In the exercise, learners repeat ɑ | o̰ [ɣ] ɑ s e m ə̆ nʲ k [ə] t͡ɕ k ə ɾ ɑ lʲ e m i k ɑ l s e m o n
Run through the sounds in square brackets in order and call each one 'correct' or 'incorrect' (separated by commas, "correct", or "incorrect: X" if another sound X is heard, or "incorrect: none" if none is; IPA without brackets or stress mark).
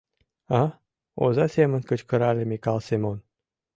incorrect: z, correct